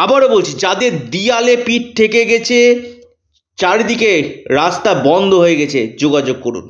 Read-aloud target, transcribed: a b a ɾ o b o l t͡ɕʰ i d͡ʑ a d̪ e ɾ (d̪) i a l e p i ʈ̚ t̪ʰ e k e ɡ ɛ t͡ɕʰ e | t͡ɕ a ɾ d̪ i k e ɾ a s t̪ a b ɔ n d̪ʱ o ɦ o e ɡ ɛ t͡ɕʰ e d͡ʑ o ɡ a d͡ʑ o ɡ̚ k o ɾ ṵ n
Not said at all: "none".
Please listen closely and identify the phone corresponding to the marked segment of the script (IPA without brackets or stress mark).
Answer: d̪